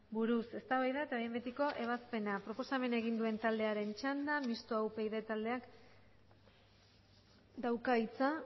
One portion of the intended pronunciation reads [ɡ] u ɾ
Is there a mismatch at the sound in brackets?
yes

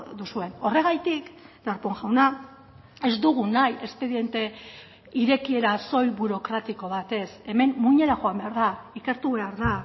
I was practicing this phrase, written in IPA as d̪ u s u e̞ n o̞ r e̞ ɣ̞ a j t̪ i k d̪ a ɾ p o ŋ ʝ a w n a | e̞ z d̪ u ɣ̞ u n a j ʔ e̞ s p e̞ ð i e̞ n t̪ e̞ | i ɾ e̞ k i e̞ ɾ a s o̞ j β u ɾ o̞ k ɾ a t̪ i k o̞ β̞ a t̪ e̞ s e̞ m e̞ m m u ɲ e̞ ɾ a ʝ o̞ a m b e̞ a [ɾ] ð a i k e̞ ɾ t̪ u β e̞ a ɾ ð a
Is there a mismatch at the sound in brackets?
no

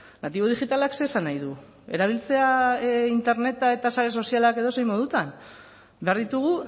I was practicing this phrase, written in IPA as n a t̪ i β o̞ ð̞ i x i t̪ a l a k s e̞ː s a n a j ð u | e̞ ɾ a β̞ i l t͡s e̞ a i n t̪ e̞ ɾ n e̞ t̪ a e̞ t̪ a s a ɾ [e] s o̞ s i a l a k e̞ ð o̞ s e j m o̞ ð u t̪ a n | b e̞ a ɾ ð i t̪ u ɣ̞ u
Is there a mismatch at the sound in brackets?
no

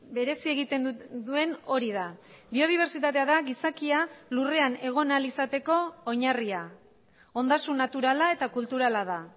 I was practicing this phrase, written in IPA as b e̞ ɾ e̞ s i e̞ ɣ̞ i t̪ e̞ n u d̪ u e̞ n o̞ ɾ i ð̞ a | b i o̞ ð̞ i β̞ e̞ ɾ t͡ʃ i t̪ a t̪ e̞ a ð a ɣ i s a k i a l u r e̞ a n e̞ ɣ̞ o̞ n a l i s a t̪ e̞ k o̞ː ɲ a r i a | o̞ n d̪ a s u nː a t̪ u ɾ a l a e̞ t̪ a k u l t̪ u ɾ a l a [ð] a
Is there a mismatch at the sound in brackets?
no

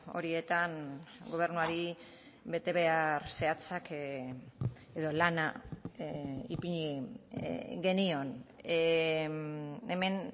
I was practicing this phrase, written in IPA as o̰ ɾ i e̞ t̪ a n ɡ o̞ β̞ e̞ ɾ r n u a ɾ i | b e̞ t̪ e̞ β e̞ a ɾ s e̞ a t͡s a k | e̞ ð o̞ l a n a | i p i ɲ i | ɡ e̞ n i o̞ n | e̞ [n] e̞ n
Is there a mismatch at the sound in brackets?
yes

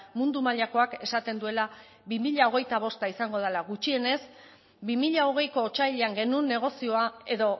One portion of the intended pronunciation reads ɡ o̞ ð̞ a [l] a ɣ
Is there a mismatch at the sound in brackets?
no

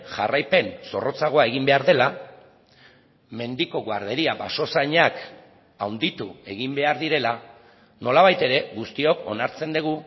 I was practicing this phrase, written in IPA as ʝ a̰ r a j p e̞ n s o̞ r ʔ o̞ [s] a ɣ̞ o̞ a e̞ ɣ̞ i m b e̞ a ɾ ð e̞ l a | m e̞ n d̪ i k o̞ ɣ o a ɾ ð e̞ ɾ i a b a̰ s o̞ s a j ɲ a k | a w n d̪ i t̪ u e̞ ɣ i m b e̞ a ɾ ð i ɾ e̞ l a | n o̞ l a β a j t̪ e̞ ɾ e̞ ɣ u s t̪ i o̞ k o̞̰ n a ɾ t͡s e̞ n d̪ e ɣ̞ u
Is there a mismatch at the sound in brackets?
yes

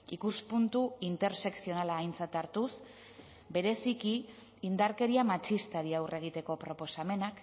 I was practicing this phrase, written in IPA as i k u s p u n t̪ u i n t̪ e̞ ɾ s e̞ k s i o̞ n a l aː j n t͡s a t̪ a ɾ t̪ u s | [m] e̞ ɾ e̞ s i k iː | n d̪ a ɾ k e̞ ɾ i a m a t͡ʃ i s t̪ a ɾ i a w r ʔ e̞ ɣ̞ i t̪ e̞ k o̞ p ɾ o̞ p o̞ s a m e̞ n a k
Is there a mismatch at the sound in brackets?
yes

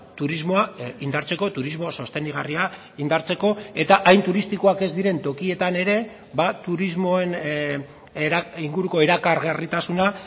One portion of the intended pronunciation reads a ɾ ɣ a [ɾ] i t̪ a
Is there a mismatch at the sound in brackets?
yes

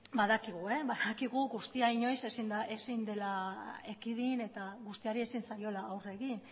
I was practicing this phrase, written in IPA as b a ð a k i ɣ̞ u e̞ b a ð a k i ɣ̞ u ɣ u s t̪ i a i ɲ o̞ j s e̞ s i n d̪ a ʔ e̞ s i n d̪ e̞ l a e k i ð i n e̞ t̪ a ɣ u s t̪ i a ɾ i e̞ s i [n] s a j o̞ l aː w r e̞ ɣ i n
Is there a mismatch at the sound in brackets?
no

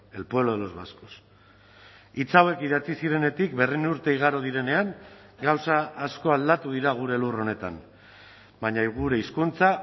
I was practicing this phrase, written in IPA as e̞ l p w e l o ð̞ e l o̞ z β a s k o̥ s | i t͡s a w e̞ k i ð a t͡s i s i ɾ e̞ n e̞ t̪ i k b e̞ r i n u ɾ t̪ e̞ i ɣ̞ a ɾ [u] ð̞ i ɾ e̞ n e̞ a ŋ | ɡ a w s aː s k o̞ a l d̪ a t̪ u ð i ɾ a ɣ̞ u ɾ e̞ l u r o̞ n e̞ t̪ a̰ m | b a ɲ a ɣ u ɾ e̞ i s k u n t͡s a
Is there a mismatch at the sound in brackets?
yes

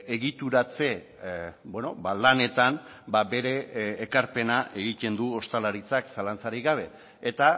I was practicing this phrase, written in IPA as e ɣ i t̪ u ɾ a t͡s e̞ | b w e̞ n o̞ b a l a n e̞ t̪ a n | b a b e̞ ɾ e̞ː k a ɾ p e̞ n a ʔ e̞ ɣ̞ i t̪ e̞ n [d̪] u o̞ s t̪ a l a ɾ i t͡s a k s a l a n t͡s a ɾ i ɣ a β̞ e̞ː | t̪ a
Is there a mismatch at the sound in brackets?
no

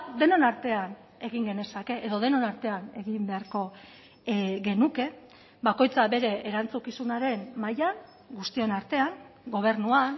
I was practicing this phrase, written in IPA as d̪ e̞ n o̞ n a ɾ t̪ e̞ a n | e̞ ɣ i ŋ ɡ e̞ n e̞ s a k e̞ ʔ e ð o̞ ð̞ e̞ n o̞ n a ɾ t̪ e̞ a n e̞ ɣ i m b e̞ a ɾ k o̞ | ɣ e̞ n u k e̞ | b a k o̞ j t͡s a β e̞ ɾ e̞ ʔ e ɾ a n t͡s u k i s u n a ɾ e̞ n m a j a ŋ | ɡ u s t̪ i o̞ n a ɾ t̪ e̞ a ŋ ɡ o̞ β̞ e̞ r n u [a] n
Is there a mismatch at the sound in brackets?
no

